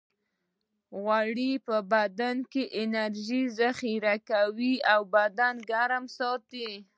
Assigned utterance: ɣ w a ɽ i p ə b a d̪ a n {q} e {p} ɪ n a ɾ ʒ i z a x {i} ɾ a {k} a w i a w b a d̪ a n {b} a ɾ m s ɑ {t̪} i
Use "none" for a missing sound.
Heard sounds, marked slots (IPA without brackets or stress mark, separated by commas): k, ʔ, i, k, ɡ, t̪